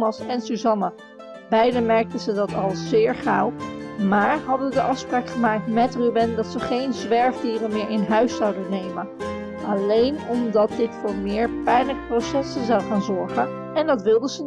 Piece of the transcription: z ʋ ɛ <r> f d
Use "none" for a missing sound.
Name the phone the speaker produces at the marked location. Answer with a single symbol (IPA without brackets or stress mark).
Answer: ɹ